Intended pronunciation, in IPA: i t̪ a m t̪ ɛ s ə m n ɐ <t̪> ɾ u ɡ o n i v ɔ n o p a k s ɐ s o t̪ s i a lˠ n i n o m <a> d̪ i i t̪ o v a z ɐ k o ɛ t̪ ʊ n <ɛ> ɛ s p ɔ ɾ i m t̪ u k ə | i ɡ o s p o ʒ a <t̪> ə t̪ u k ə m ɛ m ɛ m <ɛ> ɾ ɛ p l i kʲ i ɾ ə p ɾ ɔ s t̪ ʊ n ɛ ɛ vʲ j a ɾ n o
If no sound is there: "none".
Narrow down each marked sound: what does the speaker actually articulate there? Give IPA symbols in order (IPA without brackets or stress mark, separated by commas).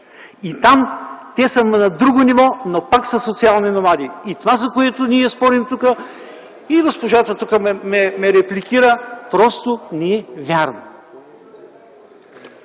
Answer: d̪, a, i, t̪, ɛ